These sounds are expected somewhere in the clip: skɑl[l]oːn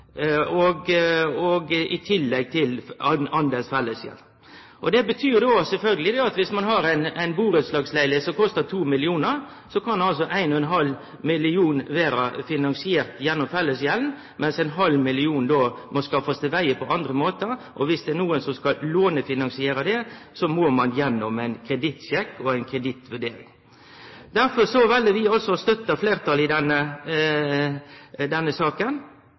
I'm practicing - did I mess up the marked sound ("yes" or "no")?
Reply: no